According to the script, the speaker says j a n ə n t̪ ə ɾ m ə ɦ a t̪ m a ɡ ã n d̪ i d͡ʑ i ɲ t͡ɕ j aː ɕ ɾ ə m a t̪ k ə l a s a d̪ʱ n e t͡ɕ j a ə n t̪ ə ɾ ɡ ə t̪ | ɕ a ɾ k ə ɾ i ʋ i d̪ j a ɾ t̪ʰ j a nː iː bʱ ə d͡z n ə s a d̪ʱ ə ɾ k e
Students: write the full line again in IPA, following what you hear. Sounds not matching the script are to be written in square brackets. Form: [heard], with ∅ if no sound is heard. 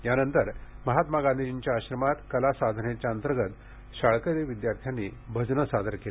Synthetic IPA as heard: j a n ə n t̪ ə ɾ m ə ɦ a t̪ m a ɡ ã n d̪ i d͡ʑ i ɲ t͡ɕ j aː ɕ ɾ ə m a t̪ k ə l a s a d̪ʱ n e t͡ɕ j a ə n t̪ ə ɾ ɡ ə t̪ | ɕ a [ɭ] k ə ɾ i ʋ i d̪ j a ɾ t̪ʰ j a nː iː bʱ ə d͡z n ə s a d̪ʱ ə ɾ k e

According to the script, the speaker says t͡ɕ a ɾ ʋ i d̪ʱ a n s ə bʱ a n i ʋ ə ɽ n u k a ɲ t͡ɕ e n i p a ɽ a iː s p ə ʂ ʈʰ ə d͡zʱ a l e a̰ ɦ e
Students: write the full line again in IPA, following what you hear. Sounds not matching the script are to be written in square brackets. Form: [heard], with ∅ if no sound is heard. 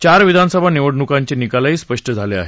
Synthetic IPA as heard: t͡ɕ a ɾ ʋ i d̪ʱ a n s ə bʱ a n i ʋ ə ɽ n u k a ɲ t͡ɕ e n i [k] a [l] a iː s p ə ʂ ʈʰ ə d͡zʱ a l e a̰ ɦ e

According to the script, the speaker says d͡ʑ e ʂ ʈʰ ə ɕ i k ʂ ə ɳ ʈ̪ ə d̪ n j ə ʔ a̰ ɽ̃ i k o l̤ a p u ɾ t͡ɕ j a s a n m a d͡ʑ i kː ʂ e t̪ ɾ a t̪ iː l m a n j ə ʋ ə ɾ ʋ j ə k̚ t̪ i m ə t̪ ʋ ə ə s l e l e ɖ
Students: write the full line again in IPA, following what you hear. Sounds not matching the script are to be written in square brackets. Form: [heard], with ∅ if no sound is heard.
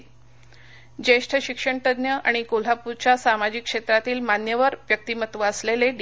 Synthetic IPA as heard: d͡ʑ e ʂ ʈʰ ə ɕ i k ʂ ə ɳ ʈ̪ ə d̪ n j ə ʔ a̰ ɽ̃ i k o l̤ a p u ɾ t͡ɕ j a s a [∅] m a d͡ʑ i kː ʂ e t̪ ɾ a t̪ iː l m a n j ə ʋ ə ɾ ʋ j ə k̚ t̪ i m ə t̪ ʋ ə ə s l e l e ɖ

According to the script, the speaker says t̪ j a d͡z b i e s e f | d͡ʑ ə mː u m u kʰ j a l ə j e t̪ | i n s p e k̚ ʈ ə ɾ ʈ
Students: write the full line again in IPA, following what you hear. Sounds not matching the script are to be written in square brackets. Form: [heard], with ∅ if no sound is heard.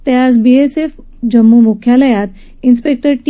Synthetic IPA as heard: t̪ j a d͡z b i e s e f | d͡ʑ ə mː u m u kʰ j a l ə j [a] t̪ | i n s p e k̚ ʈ ə ɾ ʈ

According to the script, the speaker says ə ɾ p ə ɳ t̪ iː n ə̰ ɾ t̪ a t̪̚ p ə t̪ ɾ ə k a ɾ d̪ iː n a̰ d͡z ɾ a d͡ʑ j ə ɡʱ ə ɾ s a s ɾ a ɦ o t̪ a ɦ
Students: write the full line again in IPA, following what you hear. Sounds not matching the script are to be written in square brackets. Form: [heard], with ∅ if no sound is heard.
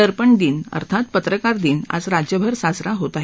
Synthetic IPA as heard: ə ɾ p ə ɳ [d̪] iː n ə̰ ɾ [t̪ʰ] a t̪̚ p ə t̪ ɾ ə k a ɾ d̪ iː n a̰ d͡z ɾ a d͡ʑ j ə [bʱ] ə ɾ s a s ɾ a ɦ o t̪ a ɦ

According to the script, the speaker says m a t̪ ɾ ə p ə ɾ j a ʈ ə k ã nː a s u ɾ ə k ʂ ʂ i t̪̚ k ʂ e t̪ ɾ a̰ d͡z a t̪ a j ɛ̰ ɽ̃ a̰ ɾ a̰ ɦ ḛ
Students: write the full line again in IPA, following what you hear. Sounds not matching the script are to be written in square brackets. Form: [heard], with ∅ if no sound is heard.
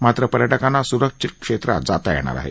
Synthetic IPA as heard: m a t̪ ɾ ə p ə ɾ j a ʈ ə k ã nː a s u ɾ ə k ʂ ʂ i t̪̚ k ʂ e t̪ ɾ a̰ d͡z a t̪ a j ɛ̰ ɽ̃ a̰ ɾ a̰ ɦ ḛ

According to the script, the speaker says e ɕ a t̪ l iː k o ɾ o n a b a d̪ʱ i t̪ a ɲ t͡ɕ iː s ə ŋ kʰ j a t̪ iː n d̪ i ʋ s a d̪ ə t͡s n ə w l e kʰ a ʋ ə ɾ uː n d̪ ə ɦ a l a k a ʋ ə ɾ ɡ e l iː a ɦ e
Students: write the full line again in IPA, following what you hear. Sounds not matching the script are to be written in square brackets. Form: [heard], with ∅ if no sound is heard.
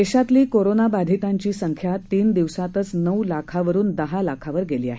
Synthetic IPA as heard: e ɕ a t̪ l iː k o ɾ o n a b a d̪ʱ i t̪ a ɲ t͡ɕ iː s ə ŋ kʰ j a t̪ iː n d̪ i ʋ s a [t̪] ə t͡s n ə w l [a] kʰ a ʋ ə ɾ uː n d̪ ə ɦ a l a [kʰ] a ʋ ə ɾ ɡ e l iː a ɦ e

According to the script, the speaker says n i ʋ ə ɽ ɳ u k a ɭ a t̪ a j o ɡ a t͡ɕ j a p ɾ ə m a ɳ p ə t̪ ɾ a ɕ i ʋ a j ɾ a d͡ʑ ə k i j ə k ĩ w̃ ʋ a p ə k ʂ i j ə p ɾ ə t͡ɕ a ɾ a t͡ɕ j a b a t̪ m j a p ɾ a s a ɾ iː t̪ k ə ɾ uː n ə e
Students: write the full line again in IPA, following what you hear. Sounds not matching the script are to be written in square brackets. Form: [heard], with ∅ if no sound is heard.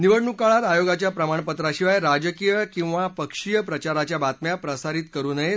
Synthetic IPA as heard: n i ʋ ə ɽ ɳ u k a ɭ a t̪ a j o ɡ a t͡ɕ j a p ɾ ə m a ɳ p ə t̪ ɾ a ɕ i ʋ a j ɾ a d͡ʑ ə k i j ə k ĩ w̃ ʋ a p ə k ʂ i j ə p ɾ ə t͡ɕ a ɾ a t͡ɕ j a b a t̪ m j a p ɾ [ə] s a ɾ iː t̪ k ə ɾ uː n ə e

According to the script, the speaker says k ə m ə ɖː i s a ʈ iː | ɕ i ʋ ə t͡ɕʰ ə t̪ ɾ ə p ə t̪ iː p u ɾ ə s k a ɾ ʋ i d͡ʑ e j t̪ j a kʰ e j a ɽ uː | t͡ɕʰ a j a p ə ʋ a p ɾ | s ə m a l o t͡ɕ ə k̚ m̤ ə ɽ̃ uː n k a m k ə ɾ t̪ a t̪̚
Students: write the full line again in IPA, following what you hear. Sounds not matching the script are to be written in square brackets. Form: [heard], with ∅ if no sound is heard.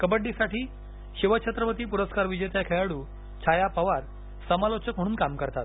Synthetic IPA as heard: k ə [b] ə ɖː i s a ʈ iː | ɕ i ʋ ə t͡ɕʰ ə t̪ ɾ ə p ə t̪ iː p u ɾ ə s k a ɾ ʋ i d͡ʑ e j t̪ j a kʰ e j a ɽ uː | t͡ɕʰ a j a p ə ʋ a [∅] ɾ | s ə m a l o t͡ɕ ə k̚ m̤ ə ɽ̃ uː n k a m k ə ɾ t̪ a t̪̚

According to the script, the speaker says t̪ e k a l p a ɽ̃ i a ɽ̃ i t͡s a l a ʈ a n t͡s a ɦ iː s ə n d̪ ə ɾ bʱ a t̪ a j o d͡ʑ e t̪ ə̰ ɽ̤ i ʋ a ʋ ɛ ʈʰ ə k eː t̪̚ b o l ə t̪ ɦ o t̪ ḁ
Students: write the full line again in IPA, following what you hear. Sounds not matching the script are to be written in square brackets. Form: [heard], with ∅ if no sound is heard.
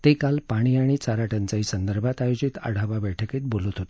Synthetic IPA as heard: t̪ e k a l p a ɽ̃ i a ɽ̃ i t͡s a [ɾ] a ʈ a n t͡s a ɦ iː s ə n d̪ ə ɾ bʱ a t̪ a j o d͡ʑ [i] t̪ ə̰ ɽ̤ [a] ʋ a ʋ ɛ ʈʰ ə k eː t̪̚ b o l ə t̪ ɦ o t̪ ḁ

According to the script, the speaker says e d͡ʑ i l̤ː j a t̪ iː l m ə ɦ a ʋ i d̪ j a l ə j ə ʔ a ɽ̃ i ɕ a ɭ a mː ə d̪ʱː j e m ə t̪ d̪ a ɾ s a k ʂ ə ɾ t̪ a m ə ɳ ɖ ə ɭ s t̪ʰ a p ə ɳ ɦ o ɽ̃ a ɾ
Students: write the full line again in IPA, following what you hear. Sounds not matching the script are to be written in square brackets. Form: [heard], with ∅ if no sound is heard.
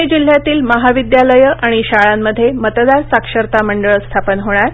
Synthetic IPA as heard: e d͡ʑ i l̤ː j a t̪ iː l m ə ɦ a ʋ i d̪ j a l ə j ə ʔ a ɽ̃ i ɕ a ɭ a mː ə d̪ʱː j e m ə t̪ d̪ a ɾ s a k ʂ ə ɾ t̪ a m ə ɳ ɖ ə ɭ s t̪ʰ a p ə [n] ɦ o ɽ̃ a ɾ

